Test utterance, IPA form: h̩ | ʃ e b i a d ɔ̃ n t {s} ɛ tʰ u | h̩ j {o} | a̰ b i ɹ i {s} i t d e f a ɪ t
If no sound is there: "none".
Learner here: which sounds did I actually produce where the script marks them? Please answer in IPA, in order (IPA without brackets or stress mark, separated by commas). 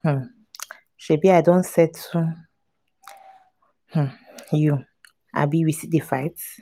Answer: s, u, s